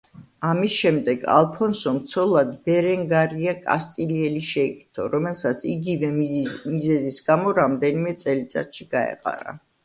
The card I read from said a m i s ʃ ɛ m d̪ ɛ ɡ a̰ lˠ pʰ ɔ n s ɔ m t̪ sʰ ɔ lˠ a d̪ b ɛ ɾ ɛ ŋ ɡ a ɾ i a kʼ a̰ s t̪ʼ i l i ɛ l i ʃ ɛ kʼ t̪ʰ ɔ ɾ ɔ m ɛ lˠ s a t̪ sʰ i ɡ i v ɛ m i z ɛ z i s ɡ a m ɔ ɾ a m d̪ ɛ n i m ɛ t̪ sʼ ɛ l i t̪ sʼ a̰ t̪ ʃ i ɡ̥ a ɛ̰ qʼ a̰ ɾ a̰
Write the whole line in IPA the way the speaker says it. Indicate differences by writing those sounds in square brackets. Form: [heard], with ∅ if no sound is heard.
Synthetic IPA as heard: a m i s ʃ ɛ m d̪ ɛ ɡ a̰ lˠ pʰ ɔ n s ɔ m t̪ sʰ ɔ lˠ a d̪ b ɛ ɾ ɛ ŋ ɡ a ɾ i a kʼ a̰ s t̪ʼ i l i ɛ l i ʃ ɛ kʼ t̪ʰ ɔ ɾ ɔ m ɛ lˠ s a t̪ sʰ i ɡ i v ɛ m i z ɛ z i s ɡ a m ɔ ɾ a m d̪ ɛ n i m ɛ t̪ sʼ ɛ l i t̪ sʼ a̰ t̪ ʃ i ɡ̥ a ɛ̰ qʼ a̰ ɾ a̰